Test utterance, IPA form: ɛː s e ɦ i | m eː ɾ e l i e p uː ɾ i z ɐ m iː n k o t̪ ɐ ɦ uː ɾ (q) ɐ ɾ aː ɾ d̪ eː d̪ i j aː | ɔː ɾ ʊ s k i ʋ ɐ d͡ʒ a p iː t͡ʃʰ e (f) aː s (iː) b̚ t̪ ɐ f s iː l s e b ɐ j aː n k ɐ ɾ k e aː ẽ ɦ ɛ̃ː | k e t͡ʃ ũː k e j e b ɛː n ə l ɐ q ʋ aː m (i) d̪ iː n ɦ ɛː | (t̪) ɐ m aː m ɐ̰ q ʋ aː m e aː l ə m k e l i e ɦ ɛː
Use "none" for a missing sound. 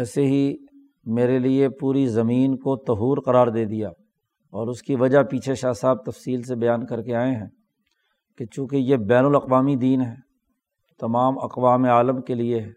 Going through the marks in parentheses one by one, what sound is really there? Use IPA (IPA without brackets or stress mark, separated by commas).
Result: q, ʃ, aː, i, t̪